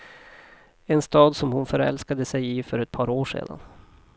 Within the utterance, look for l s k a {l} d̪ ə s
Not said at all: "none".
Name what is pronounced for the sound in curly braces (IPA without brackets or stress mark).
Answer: none